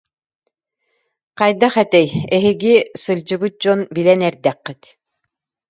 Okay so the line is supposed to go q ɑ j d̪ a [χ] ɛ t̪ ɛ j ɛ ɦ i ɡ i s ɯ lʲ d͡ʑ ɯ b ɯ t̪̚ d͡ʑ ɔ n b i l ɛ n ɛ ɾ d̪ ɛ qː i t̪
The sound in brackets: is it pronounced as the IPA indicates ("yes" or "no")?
yes